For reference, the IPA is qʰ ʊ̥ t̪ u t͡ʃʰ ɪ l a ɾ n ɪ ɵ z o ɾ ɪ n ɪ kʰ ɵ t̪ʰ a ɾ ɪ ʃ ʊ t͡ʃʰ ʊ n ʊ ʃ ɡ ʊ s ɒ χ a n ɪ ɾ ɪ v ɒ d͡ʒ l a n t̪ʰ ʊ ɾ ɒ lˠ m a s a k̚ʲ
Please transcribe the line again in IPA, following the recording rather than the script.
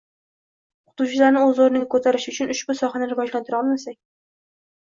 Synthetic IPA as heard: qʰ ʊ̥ t̪ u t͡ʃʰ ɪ l a ɾ n ɪ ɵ z o ɾ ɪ n ɪ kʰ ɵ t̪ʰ a ɾ ɪ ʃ ʊ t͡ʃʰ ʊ n ʊ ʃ b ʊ s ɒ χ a n ɪ ɾ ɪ v ɒ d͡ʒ l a n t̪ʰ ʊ ɾ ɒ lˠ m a s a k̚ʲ